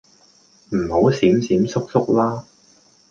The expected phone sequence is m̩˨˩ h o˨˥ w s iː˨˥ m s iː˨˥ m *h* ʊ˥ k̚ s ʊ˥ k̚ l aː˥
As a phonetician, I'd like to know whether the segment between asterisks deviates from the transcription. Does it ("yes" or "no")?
yes